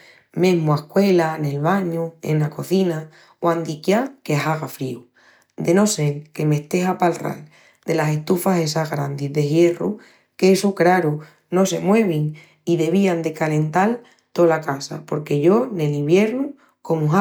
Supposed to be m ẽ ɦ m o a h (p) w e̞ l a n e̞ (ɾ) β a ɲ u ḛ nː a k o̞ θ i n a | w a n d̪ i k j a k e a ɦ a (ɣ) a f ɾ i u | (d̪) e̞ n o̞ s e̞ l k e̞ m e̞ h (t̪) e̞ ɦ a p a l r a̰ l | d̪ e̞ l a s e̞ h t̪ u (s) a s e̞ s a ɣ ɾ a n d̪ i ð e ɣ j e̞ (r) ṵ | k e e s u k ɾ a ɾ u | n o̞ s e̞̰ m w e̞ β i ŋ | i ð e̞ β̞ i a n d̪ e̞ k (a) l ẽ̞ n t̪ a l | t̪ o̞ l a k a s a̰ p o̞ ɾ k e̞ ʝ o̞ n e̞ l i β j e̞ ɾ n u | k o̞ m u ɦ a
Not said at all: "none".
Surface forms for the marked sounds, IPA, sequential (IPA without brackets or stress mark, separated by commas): k, l, ɣ, d̪, t̪, f, r, a